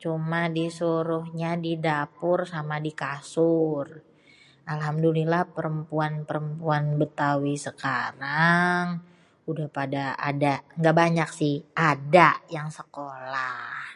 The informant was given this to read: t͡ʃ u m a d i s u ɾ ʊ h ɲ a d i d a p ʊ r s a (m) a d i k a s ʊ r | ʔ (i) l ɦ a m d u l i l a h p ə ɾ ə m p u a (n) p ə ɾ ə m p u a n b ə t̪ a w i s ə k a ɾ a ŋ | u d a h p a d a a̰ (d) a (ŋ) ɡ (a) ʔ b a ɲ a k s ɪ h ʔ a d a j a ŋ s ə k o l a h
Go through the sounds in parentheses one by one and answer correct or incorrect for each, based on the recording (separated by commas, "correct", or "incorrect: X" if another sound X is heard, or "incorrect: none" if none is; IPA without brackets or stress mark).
correct, incorrect: a, correct, correct, correct, correct